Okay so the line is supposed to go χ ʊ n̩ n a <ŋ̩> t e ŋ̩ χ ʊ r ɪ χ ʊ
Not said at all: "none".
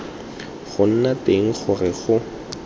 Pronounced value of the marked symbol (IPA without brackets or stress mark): none